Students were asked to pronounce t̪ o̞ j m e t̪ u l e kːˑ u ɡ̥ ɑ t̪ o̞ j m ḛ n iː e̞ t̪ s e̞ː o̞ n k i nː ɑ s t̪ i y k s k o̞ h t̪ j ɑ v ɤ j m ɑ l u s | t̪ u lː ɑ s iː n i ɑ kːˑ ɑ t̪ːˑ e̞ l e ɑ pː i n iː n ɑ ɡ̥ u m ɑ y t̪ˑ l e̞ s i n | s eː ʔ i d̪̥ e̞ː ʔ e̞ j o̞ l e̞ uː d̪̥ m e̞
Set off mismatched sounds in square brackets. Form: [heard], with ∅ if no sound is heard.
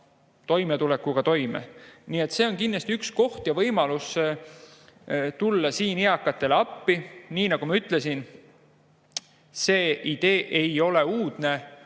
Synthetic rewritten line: t̪ o̞ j m e t̪ u l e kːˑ u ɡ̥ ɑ t̪ o̞ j m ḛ n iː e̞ t̪ s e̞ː o̞ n k i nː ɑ s t̪ i y k s k o̞ h t̪ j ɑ v ɤ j m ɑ l u s | t̪ u lː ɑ s iː n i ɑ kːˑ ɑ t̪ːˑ e̞ l e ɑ pː i n iː n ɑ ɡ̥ u m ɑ y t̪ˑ l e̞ s i n | s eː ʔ i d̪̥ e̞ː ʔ e̞ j o̞ l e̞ uː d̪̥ [n] e̞